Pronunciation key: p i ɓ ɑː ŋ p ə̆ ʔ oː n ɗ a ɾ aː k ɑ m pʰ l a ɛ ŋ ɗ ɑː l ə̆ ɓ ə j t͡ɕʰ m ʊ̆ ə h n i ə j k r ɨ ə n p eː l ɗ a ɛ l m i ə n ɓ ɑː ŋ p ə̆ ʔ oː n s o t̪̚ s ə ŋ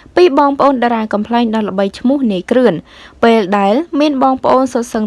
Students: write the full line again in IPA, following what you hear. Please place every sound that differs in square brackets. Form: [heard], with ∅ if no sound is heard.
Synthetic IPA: p [iː] ɓ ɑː ŋ p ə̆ ʔ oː n ɗ a ɾ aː k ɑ m pʰ l a ɛ ŋ ɗ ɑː l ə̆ ɓ ə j t͡ɕʰ m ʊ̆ ə h n i ə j k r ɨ ə n p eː l ɗ a ɛ l m i ə n ɓ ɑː ŋ p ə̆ ʔ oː n s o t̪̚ s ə ŋ